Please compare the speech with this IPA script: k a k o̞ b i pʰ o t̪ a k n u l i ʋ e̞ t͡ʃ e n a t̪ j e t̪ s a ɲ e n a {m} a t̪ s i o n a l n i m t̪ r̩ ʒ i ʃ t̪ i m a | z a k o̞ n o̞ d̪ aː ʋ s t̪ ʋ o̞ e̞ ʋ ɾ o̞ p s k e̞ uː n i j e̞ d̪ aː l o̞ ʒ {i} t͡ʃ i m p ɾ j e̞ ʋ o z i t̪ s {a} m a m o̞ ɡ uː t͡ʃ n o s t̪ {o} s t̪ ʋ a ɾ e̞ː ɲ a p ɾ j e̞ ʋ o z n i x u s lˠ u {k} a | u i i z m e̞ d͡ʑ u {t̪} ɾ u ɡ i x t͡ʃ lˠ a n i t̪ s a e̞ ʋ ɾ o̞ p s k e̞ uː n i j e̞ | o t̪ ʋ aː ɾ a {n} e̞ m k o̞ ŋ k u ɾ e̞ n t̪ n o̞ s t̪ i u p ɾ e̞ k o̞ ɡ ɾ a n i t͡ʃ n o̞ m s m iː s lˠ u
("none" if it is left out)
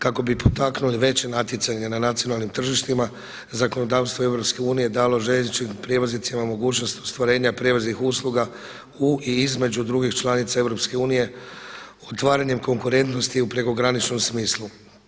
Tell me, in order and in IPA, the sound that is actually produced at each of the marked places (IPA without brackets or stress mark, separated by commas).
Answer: n, e, i, o, ɡ, d̪, ɲ